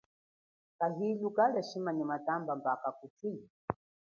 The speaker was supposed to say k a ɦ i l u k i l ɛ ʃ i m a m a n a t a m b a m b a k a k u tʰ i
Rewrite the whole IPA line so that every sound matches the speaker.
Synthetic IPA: k a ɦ i l u k a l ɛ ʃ i m a ɲ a m a t a m b a m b a k a k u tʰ i